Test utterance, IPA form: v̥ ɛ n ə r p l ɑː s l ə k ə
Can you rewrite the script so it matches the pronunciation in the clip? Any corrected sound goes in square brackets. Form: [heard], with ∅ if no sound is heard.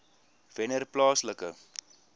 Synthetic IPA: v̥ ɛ n ə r p l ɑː s l ə k ə

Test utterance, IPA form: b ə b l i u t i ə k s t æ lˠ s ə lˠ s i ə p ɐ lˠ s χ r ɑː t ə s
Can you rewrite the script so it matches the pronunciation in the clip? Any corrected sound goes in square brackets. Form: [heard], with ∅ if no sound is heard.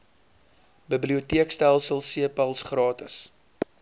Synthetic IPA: b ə b l i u t i ə k s t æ lˠ s ə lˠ s i ə p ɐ lˠ s χ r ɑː t ə s

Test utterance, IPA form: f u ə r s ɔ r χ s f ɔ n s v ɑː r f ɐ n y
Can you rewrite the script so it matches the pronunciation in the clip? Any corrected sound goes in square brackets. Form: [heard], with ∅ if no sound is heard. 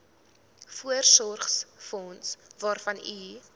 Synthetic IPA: f u ə r s ɔ r χ s f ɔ n s v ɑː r f ɐ n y

